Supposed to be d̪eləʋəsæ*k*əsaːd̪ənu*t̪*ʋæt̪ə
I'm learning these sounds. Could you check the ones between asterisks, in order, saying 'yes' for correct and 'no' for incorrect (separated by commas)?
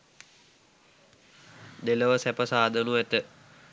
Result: no, no